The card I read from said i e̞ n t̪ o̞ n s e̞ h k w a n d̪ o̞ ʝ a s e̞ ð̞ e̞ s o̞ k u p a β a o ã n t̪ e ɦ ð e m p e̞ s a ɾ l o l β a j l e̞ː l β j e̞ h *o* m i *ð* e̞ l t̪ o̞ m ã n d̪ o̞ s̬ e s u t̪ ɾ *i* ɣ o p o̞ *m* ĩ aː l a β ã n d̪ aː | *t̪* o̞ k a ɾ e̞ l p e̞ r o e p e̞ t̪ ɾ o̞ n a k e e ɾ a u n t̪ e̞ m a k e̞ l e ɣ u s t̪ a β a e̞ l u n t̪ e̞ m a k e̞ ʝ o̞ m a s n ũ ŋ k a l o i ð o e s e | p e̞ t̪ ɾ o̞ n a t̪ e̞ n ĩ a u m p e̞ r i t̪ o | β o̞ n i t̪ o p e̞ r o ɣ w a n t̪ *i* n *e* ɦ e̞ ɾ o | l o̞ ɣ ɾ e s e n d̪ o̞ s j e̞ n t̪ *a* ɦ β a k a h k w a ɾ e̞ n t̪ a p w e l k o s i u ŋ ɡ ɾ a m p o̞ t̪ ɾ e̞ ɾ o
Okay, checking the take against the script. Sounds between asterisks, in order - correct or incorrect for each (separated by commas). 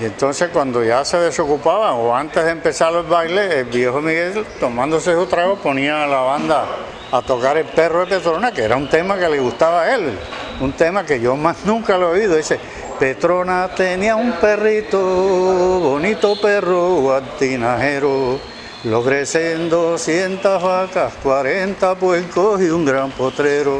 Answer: correct, incorrect, incorrect, incorrect, correct, correct, incorrect, correct